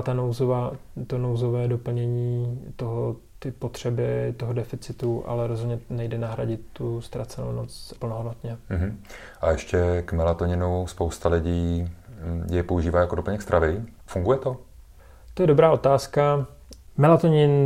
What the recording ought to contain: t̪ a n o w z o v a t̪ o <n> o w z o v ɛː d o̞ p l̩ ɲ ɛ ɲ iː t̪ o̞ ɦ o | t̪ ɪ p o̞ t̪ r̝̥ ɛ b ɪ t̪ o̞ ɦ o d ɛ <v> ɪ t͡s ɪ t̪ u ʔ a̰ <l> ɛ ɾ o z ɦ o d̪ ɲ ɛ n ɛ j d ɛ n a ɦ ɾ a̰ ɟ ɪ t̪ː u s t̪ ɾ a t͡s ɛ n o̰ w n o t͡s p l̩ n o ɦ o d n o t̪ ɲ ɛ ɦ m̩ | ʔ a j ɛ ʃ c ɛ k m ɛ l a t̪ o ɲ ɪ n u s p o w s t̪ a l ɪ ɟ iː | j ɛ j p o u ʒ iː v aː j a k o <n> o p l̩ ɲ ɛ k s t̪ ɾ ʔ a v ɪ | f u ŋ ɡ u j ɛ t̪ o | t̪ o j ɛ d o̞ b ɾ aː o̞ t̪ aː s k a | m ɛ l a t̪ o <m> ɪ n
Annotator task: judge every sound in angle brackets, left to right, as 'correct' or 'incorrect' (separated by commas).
correct, incorrect, correct, incorrect, incorrect